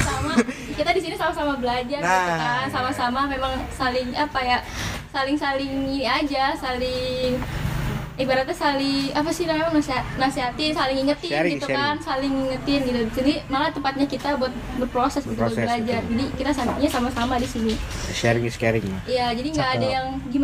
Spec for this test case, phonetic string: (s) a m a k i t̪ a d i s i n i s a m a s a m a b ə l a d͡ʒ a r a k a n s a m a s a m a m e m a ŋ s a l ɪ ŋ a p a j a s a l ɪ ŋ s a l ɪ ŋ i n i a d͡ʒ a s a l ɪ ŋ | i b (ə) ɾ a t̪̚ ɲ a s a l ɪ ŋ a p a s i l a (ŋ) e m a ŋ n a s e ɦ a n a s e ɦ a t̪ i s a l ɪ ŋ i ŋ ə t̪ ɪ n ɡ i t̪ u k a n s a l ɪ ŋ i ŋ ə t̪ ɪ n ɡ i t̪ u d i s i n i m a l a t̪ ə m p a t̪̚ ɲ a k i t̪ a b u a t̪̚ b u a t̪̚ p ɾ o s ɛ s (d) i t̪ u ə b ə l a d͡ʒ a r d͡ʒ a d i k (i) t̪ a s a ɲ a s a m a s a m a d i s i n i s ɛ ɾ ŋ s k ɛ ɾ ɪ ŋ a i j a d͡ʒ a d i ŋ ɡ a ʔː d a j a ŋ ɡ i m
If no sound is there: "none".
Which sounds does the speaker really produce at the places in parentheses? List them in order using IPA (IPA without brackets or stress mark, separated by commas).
s, a, m, ɡ, i